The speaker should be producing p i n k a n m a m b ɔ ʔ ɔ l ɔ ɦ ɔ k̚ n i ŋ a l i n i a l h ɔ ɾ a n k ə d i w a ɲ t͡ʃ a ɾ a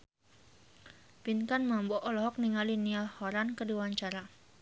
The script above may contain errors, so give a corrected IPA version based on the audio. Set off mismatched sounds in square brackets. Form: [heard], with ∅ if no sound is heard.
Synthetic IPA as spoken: p i n k a n m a m b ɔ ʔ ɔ l ɔ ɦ ɔ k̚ n i ŋ a l i n i a l h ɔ ɾ a n k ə d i w a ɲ t͡ʃ a ɾ a